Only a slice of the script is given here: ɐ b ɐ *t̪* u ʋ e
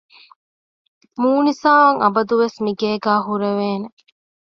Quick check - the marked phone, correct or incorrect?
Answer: incorrect